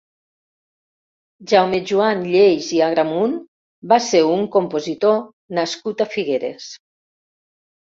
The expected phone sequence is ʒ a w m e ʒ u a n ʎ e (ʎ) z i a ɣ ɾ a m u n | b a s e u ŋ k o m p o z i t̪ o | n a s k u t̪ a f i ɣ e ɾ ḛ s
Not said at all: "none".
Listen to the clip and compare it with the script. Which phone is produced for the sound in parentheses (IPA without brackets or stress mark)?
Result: j